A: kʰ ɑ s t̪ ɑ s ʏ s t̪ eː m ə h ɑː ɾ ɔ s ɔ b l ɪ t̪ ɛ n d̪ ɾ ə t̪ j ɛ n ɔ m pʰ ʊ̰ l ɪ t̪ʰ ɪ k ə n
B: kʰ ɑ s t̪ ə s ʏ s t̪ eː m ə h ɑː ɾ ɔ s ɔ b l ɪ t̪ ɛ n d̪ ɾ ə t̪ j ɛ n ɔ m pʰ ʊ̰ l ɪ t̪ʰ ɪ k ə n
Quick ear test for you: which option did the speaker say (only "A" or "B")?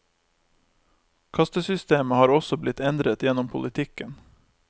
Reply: B